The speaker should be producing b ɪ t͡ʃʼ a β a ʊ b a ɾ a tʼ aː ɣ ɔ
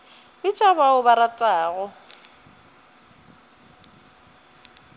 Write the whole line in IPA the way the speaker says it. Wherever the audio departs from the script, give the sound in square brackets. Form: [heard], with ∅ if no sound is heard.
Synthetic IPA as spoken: b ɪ t͡ʃʼ a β a ʊ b a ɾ a tʼ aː ɣ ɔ